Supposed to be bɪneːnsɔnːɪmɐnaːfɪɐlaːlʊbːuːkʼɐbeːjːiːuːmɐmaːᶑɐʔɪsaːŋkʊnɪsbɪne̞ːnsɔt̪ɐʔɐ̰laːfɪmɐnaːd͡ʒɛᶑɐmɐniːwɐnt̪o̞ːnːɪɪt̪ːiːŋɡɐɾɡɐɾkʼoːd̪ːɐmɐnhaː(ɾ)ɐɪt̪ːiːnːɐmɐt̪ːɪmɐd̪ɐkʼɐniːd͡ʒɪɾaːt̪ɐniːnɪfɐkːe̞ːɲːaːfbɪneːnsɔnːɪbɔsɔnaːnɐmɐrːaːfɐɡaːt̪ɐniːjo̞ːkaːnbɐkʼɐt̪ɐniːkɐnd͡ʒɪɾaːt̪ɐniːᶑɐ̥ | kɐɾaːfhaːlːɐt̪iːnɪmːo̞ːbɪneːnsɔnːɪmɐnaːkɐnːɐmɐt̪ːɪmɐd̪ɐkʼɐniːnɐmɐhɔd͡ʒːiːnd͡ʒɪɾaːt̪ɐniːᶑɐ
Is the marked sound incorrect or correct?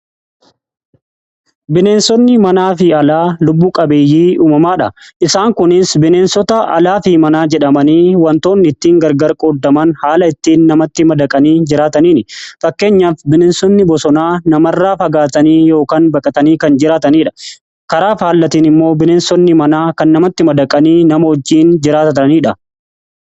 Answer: incorrect